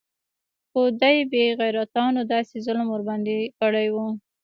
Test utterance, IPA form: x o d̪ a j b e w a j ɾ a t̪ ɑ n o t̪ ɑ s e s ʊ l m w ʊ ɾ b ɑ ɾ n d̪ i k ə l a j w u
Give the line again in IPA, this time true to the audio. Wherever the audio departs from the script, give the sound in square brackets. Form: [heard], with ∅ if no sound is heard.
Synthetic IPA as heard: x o d̪ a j b e [ɣ] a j ɾ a t̪ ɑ n o [d̪] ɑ s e [z] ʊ l m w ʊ ɾ b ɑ [∅] n d̪ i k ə [ɽ] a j w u